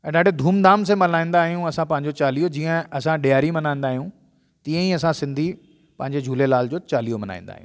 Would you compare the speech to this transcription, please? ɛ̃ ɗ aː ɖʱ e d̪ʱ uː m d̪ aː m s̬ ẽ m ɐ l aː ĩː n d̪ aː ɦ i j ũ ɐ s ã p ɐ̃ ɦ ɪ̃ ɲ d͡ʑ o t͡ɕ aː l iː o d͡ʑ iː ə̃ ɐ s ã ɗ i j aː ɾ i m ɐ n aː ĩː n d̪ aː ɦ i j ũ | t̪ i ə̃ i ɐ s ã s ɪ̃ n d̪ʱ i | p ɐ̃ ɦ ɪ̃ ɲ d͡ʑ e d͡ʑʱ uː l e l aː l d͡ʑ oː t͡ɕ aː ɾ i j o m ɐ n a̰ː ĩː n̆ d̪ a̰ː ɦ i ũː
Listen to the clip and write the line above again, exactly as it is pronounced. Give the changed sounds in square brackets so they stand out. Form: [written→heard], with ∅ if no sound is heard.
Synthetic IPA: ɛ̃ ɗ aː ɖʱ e d̪ʱ uː m d̪ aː m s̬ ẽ m ɐ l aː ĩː n d̪ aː ɦ i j ũ ɐ s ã p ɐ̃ ɦ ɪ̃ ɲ d͡ʑ o t͡ɕ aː l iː o d͡ʑ iː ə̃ ɐ s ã ɗ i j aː ɾ i m ɐ n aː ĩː n d̪ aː ɦ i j ũ | t̪ i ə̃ i ɐ s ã s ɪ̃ n d̪ʱ i | p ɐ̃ ɦ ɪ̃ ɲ d͡ʑ e d͡ʑʱ uː l e l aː l d͡ʑ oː t͡ɕ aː [ɾ→l] i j o m ɐ n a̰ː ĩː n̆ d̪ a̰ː ɦ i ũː